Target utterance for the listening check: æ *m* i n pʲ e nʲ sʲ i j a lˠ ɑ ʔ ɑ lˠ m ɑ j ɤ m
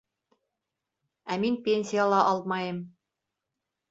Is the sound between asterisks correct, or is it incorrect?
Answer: correct